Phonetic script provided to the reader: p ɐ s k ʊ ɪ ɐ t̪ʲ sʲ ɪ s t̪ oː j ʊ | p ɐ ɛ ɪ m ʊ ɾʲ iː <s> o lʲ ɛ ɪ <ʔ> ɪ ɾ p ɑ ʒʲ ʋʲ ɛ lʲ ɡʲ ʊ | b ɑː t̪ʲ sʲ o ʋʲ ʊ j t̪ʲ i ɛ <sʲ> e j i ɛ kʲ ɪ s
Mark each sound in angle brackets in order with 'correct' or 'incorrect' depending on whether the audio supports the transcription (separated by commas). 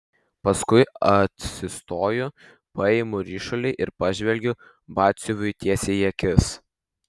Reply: incorrect, correct, correct